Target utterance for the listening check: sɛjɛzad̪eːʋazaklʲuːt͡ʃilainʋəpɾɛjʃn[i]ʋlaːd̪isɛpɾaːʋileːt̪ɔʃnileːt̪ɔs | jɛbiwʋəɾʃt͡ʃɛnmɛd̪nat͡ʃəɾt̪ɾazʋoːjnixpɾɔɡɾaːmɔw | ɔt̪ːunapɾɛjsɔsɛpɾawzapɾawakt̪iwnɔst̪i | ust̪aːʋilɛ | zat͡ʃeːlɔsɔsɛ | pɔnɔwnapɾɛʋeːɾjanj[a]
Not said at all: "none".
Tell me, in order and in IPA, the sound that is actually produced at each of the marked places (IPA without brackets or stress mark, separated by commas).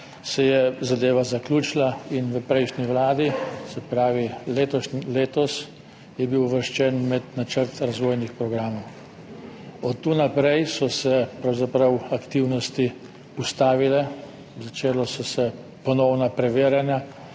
i, a